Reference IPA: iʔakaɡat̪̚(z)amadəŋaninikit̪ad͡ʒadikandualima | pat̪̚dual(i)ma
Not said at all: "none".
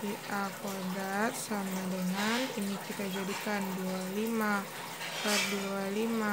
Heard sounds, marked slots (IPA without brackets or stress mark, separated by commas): s, i